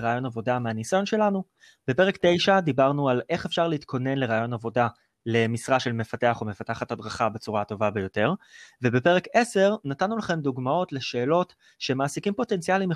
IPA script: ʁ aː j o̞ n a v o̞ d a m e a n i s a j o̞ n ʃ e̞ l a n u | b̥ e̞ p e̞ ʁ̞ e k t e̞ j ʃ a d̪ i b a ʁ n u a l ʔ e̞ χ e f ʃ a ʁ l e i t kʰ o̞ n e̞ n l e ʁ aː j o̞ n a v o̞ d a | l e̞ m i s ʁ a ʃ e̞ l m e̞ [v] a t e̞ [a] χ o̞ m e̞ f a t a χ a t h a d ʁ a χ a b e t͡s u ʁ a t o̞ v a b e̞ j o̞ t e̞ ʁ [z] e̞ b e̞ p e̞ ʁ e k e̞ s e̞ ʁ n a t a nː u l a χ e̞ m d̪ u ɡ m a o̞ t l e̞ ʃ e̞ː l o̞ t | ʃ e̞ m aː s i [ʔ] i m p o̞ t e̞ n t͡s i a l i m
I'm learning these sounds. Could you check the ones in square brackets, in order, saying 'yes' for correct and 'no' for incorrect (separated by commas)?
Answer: no, yes, no, no